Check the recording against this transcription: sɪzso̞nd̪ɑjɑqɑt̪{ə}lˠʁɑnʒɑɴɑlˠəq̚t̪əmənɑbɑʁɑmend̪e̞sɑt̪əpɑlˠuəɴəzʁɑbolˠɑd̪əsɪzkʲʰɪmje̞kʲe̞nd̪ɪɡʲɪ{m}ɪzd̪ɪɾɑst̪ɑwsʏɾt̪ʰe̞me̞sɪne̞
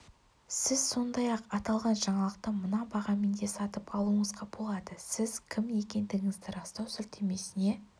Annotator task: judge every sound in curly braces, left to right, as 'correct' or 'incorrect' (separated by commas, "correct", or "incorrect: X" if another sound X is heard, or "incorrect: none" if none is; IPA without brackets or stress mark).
incorrect: ɑ, incorrect: ŋ